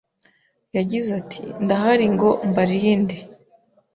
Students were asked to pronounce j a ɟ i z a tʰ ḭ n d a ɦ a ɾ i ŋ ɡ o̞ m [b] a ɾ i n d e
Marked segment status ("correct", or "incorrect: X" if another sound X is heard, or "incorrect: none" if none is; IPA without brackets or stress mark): correct